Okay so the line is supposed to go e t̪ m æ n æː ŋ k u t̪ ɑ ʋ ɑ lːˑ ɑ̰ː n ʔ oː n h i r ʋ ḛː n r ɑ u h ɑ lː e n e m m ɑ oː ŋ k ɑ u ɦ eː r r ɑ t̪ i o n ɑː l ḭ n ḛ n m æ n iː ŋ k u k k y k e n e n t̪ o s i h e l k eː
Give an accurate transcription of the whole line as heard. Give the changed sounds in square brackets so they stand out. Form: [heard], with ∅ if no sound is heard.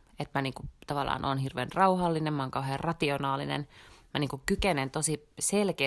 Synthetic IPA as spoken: e t̪ m æ n [iː] ŋ k u t̪ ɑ ʋ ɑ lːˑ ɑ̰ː n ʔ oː n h i r ʋ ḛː n r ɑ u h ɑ lː [i] n e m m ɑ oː ŋ k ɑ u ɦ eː r r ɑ t̪ i o n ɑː l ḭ n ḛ n m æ n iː ŋ k u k k y k e n e n t̪ o s i [s] e l k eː